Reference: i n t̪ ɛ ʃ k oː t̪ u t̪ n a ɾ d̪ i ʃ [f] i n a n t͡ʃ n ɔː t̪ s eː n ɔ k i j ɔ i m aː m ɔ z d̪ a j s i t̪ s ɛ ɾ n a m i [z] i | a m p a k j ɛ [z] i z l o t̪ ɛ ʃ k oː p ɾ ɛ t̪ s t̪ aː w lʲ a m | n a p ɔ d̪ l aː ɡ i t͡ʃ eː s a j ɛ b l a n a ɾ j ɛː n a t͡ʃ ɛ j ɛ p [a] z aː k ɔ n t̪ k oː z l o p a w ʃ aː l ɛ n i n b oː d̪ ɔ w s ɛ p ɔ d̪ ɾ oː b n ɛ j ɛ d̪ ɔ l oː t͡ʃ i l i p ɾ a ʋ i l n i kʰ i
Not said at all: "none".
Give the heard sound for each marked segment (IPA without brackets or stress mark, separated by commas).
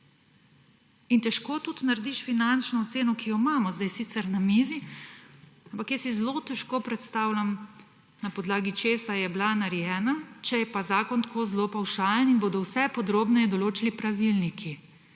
f, z, s, a